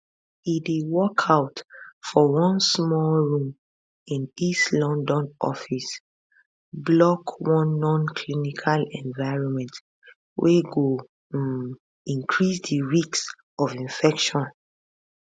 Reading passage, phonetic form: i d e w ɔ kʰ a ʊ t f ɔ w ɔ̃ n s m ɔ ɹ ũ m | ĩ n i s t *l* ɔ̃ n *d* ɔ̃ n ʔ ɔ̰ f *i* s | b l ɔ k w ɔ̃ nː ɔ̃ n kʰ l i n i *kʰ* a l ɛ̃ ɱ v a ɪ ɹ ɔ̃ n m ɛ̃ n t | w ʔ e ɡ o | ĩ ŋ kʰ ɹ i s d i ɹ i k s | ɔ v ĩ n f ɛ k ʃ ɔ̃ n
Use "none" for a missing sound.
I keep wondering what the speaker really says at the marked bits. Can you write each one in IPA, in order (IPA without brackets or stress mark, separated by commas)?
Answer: l, d, i, kʰ